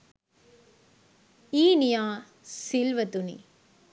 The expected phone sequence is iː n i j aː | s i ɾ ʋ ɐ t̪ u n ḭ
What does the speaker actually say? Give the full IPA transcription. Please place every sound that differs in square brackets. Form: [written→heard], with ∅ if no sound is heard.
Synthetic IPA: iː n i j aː | s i [ɾ→l] ʋ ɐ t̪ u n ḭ